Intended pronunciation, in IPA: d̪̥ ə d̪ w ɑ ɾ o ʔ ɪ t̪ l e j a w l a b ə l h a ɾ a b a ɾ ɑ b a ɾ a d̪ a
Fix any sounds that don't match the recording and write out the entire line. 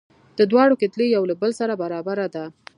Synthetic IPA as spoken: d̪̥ ə d̪ w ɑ ɽ o k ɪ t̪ l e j a w l a b ə l s a ɾ a b a ɾ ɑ b a ɾ a d̪ a

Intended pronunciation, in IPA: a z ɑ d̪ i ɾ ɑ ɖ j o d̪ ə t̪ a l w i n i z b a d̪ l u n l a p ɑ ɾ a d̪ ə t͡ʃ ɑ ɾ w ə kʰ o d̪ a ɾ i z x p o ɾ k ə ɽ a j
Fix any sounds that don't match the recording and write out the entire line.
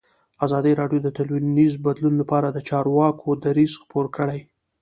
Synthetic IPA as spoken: a z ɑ d̪ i ɾ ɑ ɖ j o d̪ ə t̪ a l w i n i z b a d̪ l u n l a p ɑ ɾ a d̪ ə t͡ʃ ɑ ɾ w ɑ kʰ o d̪ a ɾ i z x p o ɾ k ə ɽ a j

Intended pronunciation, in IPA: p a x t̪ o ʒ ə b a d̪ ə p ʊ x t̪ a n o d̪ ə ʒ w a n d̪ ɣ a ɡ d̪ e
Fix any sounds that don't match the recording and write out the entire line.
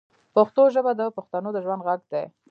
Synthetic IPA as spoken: p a x t̪ o ʒ ə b a d̪ ə p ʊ x t̪ a n o d̪ ə ʒ w a n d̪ ɣ a ɡ d̪ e

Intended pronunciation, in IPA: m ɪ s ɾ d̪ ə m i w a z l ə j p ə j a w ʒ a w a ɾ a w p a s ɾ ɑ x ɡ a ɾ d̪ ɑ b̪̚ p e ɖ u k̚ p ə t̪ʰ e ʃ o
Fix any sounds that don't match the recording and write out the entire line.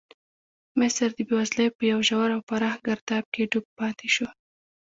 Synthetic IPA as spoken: m ɪ s ɾ d̪ ə b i w a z l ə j p ə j a w ʒ a w a ɾ a w p a ɾ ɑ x ɡ a ɾ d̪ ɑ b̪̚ k e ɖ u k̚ p ɑ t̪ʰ e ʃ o

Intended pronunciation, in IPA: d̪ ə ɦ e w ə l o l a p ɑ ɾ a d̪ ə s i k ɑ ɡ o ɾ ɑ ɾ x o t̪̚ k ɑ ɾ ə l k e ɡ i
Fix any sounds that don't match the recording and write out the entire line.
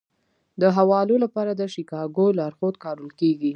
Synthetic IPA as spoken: d̪ ə ɦ a w ɑ l o l a p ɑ ɾ a d̪ ə ʃ i k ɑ ɡ o l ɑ ɾ x o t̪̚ k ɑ ɾ ə l k e ɡ i

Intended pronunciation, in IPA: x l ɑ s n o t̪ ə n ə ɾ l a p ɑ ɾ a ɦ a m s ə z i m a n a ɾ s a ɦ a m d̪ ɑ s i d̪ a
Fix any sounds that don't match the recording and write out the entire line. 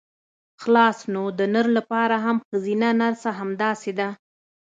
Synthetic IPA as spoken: x l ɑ s n o d̪ ə n ə ɾ l a p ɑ ɾ a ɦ a m x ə z i n a n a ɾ s a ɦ a m d̪ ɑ s e d̪ a

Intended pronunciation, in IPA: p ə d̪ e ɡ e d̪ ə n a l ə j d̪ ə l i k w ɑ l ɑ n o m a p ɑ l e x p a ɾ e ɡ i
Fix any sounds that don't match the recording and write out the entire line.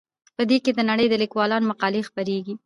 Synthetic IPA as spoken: p ə d̪ e k e d̪ ə n a ɽ ə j d̪ ə l i k w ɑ l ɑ n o m a q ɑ l e x p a ɾ e ɡ i

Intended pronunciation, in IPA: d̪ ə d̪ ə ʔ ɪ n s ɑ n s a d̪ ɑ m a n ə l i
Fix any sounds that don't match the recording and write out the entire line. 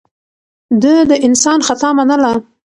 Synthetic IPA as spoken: d̪ ə d̪ ə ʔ ɪ n s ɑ n x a t̪ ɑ m a n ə l a

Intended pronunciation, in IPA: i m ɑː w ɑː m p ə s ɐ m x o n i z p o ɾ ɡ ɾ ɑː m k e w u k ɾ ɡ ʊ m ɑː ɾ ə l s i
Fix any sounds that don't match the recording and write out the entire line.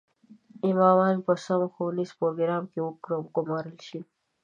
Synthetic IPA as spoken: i m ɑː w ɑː n p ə s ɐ m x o n i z p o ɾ ɡ ɾ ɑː m k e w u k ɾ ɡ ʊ m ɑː ɾ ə l ʃ i

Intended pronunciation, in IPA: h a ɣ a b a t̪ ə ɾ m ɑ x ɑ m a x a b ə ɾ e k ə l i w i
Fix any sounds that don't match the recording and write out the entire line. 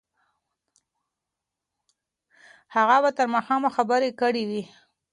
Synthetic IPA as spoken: h a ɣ a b a t̪ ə ɾ m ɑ x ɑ m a x a b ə ɾ e k ə ɽ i w i

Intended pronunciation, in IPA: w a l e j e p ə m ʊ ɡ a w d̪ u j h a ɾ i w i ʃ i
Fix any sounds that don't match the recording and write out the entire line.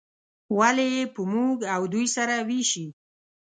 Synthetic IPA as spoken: w a l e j e p ə m u ɡ a w d̪ u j s a ɾ a w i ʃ i

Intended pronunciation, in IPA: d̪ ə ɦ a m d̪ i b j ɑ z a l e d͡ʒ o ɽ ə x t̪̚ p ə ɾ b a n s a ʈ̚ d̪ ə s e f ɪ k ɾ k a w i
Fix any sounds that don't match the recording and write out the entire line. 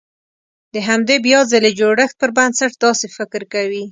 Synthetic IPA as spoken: d̪ ə ɦ a m d̪ e b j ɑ z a l e d͡ʒ o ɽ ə x t̪̚ p ə ɾ b a n s a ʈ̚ d̪ ɑ s e f ɪ k ɾ k a w i

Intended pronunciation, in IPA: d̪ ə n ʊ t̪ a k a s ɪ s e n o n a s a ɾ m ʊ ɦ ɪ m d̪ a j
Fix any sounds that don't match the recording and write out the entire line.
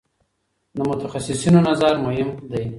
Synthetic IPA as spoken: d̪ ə m ʊ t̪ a x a s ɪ s i n o n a z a ɾ m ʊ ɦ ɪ m d̪ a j

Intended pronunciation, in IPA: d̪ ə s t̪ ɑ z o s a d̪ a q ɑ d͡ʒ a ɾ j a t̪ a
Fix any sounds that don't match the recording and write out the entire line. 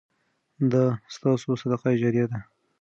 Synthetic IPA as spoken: d̪ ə s t̪ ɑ s o s a d̪ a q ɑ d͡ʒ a ɾ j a d̪ a

